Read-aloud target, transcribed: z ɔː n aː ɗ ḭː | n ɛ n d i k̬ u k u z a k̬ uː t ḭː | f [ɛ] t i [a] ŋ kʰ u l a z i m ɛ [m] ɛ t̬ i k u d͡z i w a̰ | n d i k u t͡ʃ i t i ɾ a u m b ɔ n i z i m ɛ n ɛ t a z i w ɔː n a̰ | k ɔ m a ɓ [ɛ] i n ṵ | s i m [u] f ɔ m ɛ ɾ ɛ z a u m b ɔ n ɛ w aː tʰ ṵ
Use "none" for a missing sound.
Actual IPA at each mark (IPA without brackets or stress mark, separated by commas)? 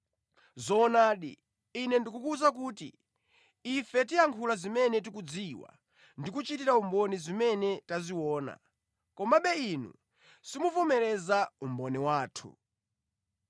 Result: ɛ, a, n, ɛ, u